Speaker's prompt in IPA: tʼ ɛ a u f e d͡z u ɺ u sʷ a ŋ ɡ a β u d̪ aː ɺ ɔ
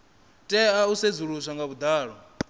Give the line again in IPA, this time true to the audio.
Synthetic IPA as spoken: tʼ ɛ a u s e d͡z u ɺ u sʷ a ŋ ɡ a β u d̪ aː ɺ ɔ